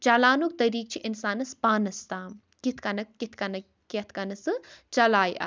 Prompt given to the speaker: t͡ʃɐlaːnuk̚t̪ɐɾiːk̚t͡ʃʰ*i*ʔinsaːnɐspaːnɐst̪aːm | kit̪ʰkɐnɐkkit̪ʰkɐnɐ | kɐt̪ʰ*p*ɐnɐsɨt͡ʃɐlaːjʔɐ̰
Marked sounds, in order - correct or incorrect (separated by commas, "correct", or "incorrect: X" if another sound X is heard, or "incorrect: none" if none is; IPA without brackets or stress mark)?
correct, incorrect: k